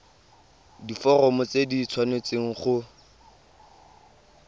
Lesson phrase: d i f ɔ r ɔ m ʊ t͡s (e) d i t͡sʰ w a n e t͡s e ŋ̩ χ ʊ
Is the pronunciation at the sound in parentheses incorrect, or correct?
correct